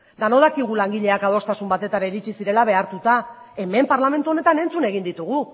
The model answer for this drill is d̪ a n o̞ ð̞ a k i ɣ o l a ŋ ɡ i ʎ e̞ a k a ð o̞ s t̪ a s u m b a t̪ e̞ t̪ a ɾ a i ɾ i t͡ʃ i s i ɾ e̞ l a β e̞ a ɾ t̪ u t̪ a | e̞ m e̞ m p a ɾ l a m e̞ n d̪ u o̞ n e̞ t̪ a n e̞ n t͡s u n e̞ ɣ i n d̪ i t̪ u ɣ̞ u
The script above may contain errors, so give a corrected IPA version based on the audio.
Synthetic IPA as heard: d̪ a n o̞ ð̞ a k i ɣ u l a ŋ ɡ i ʎ e̞ a k a ð o̞ s t̪ a s u m b a t̪ e̞ t̪ a ɾ a i ɾ i t͡ʃ i s i ɾ e̞ l a β e̞ a ɾ t̪ u t̪ a | e̞ m e̞ m p a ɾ l a m e̞ n t̪ u o̞ n e̞ t̪ a n e̞ n t͡s u n e̞ ɣ i n d̪ i t̪ u ɣ̞ u